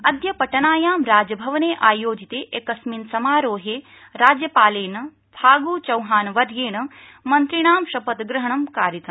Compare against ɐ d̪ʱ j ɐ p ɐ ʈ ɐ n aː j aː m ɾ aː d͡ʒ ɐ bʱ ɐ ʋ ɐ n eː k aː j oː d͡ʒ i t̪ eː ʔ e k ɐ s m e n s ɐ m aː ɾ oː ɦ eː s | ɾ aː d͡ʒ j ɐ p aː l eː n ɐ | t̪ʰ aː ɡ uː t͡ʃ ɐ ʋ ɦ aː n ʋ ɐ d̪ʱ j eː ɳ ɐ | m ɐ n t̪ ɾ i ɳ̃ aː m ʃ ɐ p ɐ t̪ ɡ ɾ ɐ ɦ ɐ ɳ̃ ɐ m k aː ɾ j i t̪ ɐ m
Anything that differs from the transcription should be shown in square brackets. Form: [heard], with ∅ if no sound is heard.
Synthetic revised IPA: ɐ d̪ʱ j ɐ p ɐ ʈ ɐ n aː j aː m ɾ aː d͡ʒ ɐ bʱ ɐ ʋ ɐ n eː [ʔ] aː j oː d͡ʒ i t̪ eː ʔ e k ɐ s m [i] n s ɐ m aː ɾ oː ɦ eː [∅] | ɾ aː d͡ʒ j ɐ p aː l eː n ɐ | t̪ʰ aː ɡ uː t͡ʃ ɐ [w] ɦ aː n ʋ ɐ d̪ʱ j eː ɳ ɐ | m ɐ n t̪ ɾ i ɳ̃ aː m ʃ ɐ p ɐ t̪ ɡ ɾ ɐ ɦ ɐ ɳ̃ ɐ m k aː ɾ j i t̪ ɐ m